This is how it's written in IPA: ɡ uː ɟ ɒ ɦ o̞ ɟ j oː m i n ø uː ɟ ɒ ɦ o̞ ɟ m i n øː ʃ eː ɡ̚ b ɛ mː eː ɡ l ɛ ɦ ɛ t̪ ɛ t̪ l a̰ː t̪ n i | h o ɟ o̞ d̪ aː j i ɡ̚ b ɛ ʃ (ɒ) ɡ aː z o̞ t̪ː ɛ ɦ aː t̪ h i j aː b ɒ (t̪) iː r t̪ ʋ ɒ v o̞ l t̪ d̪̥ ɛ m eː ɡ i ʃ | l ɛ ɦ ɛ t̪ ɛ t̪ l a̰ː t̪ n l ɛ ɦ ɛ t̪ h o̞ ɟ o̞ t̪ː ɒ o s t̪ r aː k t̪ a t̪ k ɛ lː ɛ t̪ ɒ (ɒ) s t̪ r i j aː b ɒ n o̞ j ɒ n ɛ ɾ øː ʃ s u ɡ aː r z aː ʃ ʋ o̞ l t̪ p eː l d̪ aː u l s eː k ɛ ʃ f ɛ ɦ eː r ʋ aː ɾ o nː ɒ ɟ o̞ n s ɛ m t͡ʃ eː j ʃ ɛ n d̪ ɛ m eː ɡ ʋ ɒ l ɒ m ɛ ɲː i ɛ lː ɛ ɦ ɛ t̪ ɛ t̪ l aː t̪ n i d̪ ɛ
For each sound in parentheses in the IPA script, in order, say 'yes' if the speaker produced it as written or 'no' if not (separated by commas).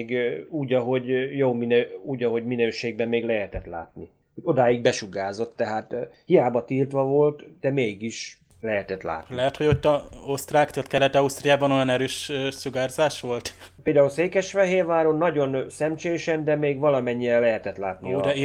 no, yes, no